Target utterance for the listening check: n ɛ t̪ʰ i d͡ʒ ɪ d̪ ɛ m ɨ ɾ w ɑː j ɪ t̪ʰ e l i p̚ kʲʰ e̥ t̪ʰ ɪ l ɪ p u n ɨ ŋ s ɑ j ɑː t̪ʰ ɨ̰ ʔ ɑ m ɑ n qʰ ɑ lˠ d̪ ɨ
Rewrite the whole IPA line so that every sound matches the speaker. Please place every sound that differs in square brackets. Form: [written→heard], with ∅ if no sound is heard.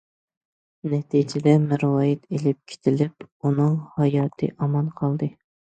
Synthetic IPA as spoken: n ɛ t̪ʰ i d͡ʒ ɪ d̪ ɛ m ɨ ɾ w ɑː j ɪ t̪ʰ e l [i→ɪ] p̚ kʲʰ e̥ t̪ʰ ɪ l ɪ p u n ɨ ŋ [s→h] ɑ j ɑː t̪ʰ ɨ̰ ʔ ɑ m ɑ n qʰ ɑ lˠ d̪ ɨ